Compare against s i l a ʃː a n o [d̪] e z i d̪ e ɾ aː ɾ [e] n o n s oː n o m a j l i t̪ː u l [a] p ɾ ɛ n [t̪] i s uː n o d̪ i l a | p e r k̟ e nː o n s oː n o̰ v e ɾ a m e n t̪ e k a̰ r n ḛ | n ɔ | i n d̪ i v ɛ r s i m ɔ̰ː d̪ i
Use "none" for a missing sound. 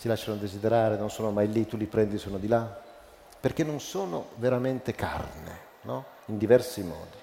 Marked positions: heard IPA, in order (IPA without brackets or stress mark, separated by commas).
d̪, e, i, d̪